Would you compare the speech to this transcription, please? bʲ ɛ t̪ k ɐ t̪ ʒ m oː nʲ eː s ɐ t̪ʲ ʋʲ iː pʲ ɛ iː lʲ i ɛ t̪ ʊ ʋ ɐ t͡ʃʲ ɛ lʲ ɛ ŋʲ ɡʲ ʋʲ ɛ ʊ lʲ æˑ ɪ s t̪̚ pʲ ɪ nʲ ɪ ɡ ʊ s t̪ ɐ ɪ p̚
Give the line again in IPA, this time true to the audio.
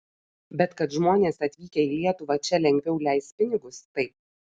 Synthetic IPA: bʲ ɛ t̪ k ɐ t̪ ʒ m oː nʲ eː s ɐ t̪ʲ ʋʲ iː kʲ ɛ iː lʲ i ɛ t̪ ʊ ʋ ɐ t͡ʃʲ ɛ lʲ ɛ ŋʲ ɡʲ ʋʲ ɛ ʊ lʲ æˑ ɪ s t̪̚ pʲ ɪ nʲ ɪ ɡ ʊ s t̪ ɐ ɪ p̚